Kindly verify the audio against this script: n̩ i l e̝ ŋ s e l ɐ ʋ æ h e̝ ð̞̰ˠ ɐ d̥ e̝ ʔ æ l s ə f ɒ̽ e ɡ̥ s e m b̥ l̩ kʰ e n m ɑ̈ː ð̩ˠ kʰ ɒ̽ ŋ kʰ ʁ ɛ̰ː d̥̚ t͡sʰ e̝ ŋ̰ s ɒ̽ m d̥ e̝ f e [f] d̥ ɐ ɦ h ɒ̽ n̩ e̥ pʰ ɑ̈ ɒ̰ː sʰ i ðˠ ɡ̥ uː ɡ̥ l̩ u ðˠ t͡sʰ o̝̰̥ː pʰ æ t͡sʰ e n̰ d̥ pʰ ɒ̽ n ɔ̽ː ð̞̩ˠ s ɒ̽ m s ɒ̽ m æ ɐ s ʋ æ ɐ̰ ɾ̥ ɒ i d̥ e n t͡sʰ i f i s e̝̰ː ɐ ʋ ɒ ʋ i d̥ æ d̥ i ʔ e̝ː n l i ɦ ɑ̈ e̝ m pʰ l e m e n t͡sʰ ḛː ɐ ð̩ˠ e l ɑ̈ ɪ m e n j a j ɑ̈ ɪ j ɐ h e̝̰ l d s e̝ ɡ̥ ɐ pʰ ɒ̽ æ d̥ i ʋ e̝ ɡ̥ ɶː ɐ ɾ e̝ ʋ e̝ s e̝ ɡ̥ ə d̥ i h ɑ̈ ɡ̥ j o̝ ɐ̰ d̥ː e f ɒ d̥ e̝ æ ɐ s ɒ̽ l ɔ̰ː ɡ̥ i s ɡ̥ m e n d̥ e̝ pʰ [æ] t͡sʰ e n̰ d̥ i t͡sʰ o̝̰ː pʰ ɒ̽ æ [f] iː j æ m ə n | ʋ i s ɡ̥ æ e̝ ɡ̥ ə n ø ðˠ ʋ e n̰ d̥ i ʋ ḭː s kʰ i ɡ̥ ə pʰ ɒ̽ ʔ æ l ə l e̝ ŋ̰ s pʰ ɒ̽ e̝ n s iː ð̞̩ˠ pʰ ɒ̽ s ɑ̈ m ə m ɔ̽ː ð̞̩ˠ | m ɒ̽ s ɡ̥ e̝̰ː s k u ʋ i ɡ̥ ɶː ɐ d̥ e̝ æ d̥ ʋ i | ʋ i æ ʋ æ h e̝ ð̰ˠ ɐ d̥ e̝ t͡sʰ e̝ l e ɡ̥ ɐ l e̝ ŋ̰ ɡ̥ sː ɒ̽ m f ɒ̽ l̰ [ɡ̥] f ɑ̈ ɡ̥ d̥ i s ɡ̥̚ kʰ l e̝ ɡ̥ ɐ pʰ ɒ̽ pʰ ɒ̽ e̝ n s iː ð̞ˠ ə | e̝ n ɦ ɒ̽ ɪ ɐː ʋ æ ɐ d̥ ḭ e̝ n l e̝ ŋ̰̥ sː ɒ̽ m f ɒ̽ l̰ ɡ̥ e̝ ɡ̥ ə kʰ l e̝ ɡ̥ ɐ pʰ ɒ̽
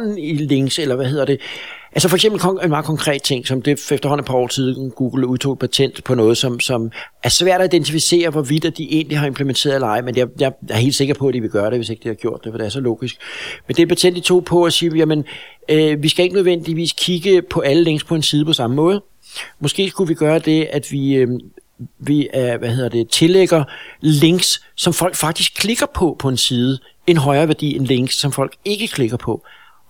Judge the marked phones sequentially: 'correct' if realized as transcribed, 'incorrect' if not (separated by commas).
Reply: correct, correct, incorrect, correct